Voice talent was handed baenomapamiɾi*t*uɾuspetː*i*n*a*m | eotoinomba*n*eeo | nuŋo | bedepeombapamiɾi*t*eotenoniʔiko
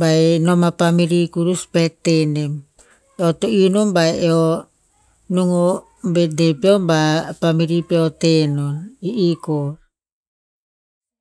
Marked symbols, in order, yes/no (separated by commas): no, no, no, no, no